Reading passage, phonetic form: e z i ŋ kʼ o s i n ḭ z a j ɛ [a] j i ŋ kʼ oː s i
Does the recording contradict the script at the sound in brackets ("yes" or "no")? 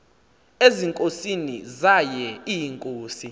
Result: yes